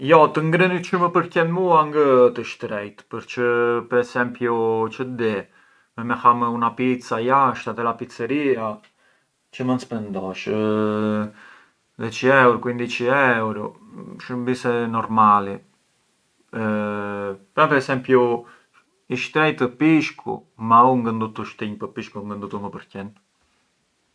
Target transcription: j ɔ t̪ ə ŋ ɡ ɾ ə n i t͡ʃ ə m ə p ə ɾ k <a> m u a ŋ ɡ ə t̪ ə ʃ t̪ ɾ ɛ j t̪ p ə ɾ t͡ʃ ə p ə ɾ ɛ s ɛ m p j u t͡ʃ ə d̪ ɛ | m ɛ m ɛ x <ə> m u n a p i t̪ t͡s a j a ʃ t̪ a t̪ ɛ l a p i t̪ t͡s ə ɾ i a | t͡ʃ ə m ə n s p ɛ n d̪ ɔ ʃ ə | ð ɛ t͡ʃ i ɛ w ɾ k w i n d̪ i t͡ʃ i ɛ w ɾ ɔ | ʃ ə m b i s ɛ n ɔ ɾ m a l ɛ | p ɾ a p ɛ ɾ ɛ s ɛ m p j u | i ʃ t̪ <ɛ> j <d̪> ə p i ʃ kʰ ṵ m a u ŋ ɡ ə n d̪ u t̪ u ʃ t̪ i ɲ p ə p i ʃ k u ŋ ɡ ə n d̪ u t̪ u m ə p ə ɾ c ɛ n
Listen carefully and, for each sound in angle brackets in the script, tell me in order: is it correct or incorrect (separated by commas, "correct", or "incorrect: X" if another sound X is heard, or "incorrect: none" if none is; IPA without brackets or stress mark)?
incorrect: ɛ, incorrect: a, correct, incorrect: t̪